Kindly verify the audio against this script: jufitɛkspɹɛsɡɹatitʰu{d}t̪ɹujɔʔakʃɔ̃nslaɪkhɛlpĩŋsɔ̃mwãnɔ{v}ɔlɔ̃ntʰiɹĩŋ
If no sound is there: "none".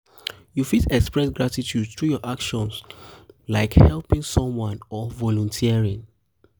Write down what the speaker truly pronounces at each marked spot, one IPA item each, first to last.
d, v

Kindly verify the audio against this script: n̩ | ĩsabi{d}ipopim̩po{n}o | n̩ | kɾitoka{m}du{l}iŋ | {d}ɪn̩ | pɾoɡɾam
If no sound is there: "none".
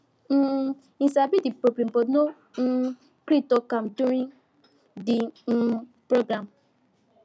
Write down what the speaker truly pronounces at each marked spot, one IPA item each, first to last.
d, n, m, ɾ, d

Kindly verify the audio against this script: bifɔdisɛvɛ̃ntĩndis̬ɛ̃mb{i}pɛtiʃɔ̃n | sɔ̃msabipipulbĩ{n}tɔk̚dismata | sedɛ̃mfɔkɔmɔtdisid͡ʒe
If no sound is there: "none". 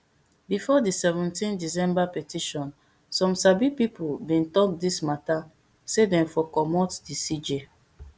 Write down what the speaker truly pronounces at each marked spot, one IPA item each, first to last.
a, n

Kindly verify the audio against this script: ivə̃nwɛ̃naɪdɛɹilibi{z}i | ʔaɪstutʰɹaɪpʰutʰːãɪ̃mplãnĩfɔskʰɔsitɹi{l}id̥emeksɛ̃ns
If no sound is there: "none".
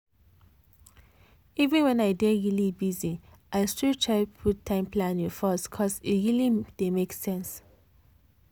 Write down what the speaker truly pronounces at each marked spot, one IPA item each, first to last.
z, l

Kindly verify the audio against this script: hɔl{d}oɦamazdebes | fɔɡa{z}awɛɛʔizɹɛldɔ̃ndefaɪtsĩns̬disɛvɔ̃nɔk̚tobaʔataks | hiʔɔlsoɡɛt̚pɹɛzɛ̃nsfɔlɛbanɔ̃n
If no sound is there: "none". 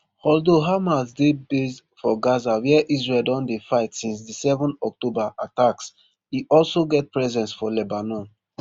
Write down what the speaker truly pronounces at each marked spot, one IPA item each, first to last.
d, z

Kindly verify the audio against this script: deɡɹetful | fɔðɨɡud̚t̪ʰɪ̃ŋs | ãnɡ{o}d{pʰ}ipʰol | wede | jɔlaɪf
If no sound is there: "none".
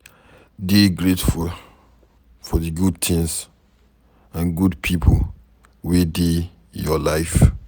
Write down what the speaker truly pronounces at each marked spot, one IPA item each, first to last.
u, pʰ

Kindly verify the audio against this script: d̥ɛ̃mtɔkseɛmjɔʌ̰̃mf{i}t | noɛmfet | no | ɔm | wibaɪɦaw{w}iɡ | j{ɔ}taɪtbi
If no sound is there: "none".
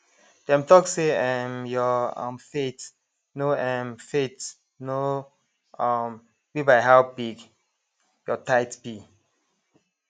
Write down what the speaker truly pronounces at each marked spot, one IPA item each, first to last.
e, b, ɔ

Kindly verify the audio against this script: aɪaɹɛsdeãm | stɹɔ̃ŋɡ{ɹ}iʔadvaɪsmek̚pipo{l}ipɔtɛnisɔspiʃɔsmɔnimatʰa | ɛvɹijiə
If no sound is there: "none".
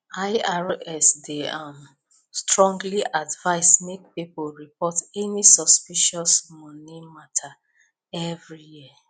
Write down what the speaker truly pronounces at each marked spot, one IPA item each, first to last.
l, ɹ

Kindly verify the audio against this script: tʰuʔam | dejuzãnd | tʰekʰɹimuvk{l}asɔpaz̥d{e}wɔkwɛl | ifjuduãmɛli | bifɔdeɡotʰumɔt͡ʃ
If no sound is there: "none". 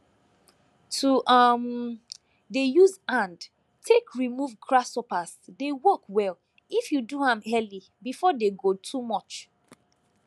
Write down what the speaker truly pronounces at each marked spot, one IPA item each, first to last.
ɹ, e

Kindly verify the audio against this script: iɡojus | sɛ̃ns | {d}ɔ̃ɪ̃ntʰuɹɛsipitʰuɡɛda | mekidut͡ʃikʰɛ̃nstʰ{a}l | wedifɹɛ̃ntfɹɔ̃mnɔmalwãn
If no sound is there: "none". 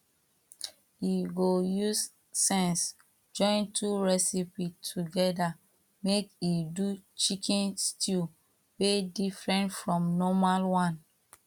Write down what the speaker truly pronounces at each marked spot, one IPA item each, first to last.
d͡ʒ, i

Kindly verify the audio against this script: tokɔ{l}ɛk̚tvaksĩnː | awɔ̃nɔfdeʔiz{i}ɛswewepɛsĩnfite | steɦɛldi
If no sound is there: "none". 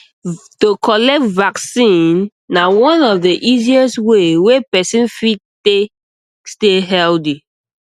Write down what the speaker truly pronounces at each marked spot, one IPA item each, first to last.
l, i

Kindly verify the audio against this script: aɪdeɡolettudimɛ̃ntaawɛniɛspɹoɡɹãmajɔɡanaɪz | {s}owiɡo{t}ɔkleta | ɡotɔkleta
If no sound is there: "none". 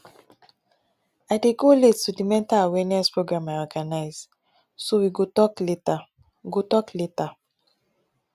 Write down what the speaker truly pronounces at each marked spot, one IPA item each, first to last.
s, t

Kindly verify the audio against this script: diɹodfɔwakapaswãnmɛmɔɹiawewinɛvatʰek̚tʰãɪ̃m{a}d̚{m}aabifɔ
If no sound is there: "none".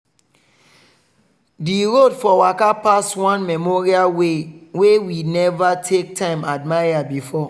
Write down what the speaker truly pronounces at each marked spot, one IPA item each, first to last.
a, m

